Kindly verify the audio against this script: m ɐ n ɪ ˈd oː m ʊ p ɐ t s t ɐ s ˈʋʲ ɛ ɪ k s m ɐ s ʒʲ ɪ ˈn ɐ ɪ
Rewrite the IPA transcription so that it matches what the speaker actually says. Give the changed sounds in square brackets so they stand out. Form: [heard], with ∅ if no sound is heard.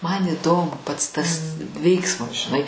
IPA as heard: m ɐ n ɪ ˈd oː m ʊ p ɐ t s t ɐ s ˈʋʲ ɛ ɪ k s m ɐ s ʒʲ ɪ ˈn ɐ ɪ